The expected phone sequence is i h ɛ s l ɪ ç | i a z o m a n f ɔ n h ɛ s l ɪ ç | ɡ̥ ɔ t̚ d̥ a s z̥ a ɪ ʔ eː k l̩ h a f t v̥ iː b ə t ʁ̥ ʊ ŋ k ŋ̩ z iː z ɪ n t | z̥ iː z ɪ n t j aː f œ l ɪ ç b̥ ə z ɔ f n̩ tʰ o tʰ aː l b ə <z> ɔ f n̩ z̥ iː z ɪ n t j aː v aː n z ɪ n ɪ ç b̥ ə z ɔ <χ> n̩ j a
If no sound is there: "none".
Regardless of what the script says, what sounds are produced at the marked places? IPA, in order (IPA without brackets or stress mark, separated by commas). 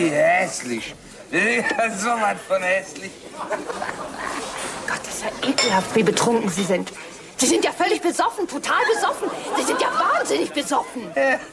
z, f